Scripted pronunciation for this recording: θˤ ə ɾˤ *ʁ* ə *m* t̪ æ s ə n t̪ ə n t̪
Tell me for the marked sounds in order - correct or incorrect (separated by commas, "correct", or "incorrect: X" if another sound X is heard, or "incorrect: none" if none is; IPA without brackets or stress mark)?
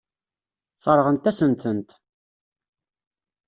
correct, incorrect: n